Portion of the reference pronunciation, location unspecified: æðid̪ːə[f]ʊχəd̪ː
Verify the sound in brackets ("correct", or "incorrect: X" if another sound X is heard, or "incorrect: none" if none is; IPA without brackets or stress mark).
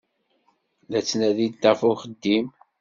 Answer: correct